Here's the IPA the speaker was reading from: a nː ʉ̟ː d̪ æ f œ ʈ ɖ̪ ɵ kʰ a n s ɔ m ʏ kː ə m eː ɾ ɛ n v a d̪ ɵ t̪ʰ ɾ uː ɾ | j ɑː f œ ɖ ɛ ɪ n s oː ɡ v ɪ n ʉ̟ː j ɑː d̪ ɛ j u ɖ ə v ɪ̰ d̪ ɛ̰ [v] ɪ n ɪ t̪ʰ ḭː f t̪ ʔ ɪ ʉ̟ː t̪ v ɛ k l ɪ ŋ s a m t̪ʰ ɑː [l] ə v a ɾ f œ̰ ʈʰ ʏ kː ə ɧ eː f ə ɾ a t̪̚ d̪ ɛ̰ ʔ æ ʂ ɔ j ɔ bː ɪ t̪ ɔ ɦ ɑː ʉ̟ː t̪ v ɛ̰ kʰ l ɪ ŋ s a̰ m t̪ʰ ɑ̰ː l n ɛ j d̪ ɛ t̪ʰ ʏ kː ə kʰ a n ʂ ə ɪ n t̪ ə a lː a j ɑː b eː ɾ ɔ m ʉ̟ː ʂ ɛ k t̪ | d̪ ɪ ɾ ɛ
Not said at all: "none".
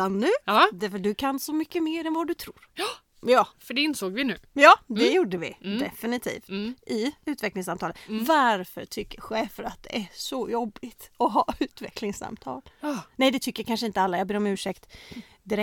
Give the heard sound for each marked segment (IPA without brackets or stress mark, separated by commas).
f, l